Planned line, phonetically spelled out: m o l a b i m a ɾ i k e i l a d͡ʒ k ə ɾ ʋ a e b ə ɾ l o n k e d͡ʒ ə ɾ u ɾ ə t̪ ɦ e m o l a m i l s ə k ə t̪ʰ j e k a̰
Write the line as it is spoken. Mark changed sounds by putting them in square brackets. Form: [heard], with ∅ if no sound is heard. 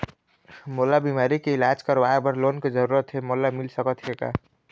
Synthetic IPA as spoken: m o l a b i m a ɾ i k e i l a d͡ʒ k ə ɾ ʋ a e b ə ɾ l o n k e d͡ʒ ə ɾ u ɾ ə t̪ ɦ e m o l a m i l s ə k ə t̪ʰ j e k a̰